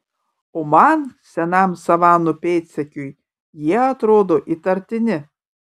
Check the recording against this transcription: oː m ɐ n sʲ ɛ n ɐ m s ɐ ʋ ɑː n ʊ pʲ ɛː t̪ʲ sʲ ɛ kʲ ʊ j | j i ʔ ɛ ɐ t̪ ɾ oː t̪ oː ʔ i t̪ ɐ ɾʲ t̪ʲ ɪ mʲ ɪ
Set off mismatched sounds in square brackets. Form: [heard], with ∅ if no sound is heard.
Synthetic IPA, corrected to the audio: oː m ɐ n sʲ ɛ n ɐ m s ɐ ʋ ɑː n ʊ pʲ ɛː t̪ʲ sʲ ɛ kʲ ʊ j | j i [∅] ɛ ɐ t̪ ɾ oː [d̪] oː ʔ i t̪ ɐ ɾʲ t̪ʲ ɪ [nʲ] ɪ